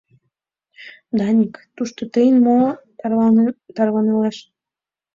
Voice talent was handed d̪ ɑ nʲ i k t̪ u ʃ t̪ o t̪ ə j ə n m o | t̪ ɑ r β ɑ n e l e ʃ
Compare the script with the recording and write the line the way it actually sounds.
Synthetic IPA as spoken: d̪ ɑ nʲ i k t̪ u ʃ t̪ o t̪ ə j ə n m o | t̪ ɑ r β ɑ n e l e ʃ